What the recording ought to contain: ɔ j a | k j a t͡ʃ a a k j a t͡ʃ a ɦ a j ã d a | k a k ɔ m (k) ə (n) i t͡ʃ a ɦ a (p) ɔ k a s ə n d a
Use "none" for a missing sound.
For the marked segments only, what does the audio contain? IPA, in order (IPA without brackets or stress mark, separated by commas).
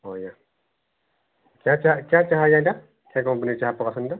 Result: p, n, p